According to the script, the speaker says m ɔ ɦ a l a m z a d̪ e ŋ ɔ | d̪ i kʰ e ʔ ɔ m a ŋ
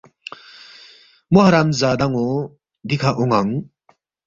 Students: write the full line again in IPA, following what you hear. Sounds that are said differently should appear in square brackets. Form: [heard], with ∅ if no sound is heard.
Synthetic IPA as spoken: m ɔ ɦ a [ɾ] a m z a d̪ [a] ŋ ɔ | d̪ i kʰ [a] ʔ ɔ [ŋ] a ŋ